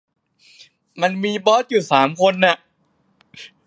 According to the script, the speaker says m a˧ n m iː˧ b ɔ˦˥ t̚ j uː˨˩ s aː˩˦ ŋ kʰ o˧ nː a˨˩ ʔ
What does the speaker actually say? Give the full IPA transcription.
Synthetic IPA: m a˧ n m iː˧ b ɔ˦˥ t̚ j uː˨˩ s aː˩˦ m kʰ o˧ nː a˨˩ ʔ